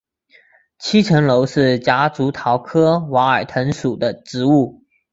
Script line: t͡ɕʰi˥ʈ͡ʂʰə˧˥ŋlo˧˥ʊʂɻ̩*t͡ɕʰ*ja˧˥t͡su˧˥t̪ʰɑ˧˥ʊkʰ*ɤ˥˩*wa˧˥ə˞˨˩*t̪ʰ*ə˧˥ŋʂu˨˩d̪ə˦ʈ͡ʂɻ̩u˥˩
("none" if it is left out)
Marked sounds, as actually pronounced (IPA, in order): t͡ɕ, ɤ˥, t̪ʰ

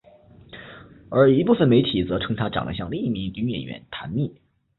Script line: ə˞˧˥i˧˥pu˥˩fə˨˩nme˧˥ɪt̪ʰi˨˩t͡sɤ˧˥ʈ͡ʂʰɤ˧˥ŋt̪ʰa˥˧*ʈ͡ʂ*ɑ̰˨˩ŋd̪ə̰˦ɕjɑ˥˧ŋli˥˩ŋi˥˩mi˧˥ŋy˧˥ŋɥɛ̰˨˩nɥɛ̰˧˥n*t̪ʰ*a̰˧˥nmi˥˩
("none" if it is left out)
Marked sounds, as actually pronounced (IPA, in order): ʈ͡ʂ, t̪ʰ

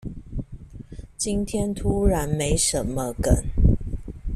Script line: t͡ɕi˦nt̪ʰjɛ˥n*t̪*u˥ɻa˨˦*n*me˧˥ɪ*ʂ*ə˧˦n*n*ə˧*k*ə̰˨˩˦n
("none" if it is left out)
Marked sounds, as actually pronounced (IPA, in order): t̪ʰ, n, ʂ, m, k

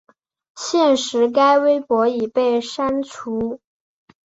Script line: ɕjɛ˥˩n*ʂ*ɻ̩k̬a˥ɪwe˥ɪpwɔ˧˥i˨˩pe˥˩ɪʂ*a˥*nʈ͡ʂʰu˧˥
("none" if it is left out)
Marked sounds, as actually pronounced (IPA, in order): ʂ, a˥

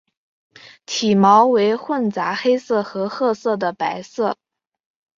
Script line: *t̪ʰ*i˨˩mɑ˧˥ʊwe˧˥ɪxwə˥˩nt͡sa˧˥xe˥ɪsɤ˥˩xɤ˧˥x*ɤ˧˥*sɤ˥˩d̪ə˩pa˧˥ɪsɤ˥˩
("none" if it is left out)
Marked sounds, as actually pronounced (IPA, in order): t̪ʰ, ɤ˥˧

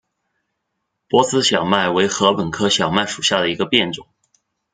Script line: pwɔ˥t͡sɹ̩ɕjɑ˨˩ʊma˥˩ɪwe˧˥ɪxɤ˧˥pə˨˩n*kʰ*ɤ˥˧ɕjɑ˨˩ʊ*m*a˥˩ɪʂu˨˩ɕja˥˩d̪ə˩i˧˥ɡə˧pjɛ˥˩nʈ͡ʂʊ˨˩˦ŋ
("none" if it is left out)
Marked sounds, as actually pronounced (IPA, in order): kʰ, m

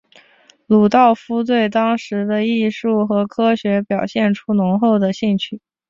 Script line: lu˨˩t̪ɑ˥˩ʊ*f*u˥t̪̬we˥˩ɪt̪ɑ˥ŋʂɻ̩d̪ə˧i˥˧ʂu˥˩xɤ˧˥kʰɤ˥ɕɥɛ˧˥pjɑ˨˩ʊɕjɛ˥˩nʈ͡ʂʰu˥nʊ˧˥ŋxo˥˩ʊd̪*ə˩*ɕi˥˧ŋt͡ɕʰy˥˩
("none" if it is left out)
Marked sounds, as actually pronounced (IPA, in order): f, ə˩

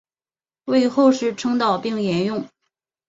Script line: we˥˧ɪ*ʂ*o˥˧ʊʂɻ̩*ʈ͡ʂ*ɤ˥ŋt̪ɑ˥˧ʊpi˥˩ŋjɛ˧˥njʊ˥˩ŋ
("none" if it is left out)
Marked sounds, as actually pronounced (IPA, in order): x, ʈ͡ʂʰ

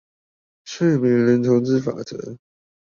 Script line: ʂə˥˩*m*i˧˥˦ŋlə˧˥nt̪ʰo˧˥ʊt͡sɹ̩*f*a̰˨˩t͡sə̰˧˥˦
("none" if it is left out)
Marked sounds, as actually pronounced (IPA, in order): m, f

